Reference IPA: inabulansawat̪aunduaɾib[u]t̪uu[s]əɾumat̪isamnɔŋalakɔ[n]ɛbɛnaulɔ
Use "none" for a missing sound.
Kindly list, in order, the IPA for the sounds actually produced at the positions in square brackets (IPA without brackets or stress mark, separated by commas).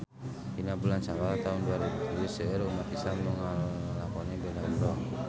u, s, n